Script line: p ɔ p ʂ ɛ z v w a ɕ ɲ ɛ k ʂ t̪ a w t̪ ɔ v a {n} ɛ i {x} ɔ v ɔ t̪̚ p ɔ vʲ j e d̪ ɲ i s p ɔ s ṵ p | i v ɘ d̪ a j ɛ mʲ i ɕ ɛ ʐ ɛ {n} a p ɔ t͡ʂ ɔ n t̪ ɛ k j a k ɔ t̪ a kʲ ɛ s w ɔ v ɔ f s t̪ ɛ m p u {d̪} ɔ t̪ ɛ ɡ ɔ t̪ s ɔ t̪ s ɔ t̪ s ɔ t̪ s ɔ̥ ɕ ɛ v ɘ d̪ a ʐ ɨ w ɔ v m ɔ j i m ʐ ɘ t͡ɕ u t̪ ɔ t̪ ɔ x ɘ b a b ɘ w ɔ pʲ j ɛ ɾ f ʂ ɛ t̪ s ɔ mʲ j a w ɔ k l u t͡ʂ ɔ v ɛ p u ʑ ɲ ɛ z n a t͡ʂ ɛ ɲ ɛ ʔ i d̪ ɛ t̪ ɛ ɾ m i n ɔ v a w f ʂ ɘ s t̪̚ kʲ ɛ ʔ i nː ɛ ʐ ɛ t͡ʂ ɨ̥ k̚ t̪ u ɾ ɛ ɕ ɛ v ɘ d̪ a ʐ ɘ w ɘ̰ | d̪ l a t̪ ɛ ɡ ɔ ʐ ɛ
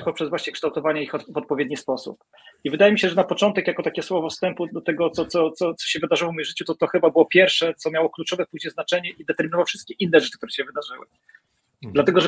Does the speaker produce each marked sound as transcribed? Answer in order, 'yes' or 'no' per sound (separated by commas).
no, yes, yes, yes